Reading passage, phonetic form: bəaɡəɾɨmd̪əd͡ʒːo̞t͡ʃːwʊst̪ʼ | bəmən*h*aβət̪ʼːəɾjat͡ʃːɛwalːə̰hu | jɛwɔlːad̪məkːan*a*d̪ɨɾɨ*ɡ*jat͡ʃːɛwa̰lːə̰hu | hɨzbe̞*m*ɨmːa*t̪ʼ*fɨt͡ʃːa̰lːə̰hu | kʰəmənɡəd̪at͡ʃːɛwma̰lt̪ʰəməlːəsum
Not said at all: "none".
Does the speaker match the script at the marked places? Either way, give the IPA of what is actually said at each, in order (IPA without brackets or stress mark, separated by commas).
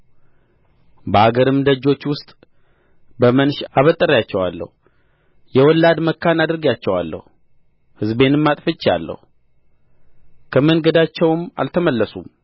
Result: ʃ, a, ɡ, n, t̪ʼ